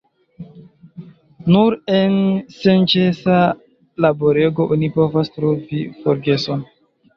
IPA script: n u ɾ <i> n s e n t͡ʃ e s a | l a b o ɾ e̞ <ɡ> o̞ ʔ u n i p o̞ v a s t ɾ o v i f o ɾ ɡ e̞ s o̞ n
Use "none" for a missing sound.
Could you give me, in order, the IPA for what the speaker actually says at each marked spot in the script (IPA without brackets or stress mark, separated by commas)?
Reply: e, ɡ